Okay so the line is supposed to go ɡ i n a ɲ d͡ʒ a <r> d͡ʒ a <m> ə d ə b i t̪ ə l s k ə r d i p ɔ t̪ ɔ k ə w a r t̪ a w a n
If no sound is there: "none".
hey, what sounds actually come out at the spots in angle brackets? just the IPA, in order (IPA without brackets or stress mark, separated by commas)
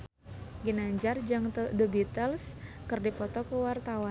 r, ŋ